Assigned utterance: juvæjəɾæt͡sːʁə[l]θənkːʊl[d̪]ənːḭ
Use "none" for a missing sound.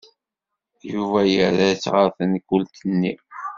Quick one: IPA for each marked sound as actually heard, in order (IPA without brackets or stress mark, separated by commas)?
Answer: ɾ, t̪